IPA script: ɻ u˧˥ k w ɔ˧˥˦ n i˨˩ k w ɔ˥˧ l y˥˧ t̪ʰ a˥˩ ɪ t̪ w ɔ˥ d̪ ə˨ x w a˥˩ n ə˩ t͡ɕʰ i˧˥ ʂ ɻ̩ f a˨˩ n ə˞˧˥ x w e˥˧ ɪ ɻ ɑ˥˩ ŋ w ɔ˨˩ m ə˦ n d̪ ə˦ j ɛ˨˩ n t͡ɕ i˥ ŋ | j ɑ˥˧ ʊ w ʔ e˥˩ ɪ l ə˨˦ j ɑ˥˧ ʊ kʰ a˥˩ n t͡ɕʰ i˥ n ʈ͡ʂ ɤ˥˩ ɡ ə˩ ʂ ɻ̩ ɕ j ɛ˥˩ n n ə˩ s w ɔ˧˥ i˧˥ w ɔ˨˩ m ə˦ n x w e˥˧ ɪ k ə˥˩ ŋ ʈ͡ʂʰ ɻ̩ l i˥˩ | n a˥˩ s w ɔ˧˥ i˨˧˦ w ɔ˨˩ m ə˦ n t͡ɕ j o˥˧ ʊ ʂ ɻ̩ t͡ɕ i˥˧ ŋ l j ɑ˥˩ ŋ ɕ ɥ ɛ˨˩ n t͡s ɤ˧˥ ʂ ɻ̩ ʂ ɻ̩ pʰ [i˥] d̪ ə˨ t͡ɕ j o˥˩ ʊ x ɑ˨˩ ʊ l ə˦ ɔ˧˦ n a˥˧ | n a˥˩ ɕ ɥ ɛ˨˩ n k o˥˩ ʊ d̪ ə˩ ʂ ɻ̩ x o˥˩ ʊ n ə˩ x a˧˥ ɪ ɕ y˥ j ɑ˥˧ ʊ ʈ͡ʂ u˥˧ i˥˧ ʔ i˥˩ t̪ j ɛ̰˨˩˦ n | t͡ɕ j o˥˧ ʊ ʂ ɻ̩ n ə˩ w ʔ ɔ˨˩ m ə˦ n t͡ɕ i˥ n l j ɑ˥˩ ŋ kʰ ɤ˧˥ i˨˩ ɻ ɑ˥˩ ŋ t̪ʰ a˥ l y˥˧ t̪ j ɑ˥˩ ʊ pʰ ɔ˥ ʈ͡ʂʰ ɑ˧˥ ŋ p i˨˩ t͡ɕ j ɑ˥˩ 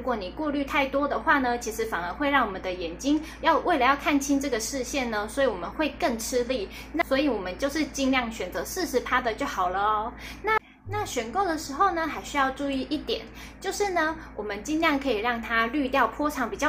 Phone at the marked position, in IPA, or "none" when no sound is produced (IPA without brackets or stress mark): a˥